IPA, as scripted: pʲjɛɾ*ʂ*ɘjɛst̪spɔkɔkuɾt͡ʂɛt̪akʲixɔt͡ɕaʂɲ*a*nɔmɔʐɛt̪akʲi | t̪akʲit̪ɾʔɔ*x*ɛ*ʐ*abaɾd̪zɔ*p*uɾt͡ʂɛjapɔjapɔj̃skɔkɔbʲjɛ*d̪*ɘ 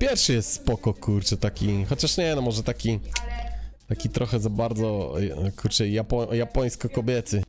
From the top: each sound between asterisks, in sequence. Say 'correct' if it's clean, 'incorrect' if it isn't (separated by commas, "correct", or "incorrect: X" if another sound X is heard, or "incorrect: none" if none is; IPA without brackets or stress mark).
correct, incorrect: ɛ, correct, incorrect: z, incorrect: k, incorrect: t̪